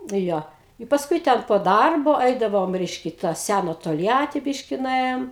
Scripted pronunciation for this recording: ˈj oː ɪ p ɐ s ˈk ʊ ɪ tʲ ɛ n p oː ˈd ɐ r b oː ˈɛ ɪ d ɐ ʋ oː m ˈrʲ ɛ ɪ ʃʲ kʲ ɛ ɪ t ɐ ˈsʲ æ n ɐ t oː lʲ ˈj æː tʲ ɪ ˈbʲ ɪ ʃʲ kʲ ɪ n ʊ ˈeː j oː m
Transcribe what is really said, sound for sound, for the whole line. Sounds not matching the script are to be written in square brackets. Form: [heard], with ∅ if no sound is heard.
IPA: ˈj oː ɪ p ɐ s ˈk ʊ ɪ tʲ ɛ n p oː ˈd ɐ r b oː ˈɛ ɪ d ɐ ʋ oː m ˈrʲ ɛ ɪ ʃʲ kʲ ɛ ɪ t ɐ ˈsʲ æ n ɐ t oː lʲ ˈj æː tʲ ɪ ˈbʲ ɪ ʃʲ kʲ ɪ n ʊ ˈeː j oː m